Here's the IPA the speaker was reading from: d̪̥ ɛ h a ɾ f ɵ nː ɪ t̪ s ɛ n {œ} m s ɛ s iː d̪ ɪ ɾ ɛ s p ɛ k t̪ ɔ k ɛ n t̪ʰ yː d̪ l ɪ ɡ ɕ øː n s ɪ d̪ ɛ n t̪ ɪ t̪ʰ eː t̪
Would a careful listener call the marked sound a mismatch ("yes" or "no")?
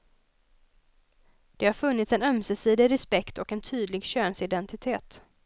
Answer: no